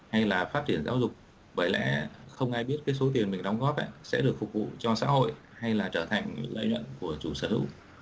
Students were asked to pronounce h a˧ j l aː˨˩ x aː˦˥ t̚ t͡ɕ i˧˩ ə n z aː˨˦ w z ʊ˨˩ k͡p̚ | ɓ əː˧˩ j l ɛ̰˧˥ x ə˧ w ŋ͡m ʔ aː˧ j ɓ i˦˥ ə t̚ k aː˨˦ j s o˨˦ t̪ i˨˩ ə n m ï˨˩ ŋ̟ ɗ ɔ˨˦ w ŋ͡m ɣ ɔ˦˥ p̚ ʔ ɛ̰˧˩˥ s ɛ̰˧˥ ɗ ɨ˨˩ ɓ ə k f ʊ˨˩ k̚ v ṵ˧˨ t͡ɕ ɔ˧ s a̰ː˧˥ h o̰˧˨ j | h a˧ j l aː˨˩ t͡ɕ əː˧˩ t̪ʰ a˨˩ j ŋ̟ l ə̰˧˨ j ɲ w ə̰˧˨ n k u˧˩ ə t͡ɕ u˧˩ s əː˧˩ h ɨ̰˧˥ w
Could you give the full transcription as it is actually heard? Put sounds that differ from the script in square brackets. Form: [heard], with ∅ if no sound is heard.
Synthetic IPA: h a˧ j l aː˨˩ [f] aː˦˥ t̚ t͡ɕ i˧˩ ə n z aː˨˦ w z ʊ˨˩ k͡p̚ | ɓ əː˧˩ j l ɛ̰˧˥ x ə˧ w ŋ͡m ʔ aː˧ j ɓ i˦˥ ə t̚ k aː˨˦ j s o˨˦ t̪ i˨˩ ə n m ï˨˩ ŋ̟ ɗ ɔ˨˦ w ŋ͡m ɣ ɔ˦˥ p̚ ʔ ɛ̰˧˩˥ s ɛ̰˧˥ ɗ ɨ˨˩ [∅] ə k f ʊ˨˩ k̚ v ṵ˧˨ t͡ɕ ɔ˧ s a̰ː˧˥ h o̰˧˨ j | h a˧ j l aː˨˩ t͡ɕ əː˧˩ t̪ʰ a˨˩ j ŋ̟ l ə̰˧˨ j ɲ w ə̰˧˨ n k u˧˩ ə t͡ɕ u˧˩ s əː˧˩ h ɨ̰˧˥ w